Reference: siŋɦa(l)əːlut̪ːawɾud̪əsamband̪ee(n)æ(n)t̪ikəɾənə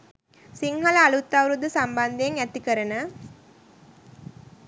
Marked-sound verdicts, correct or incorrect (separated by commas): correct, incorrect, incorrect